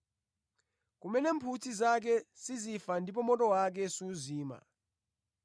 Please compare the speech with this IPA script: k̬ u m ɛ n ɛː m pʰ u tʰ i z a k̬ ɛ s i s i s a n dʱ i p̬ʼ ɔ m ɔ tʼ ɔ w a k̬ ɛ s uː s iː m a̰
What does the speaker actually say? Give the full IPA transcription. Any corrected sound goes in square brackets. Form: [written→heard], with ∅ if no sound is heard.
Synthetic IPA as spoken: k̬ u m ɛ n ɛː m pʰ u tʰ i z a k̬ ɛ s i [s→z] i [s→f] a n dʱ i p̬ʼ ɔ m ɔ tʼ ɔ w a k̬ ɛ s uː [s→z] iː m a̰